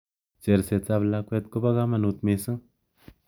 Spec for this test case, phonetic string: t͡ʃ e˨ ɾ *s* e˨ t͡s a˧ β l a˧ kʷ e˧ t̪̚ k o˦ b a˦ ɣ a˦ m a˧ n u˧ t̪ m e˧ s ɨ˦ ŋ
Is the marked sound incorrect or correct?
correct